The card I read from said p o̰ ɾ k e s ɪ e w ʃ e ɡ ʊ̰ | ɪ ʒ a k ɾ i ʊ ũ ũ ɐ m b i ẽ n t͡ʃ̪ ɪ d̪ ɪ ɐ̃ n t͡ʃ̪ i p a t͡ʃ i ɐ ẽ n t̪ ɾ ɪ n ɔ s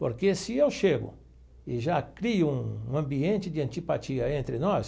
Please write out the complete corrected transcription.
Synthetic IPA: p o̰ ɾ k e s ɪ e w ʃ e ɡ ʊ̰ | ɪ ʒ a k ɾ i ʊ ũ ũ ɐ̃ m b i ẽ n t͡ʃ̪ ɪ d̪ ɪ ɐ̃ n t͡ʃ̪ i p a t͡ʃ i ɐ ẽ n t̪ ɾ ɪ n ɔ s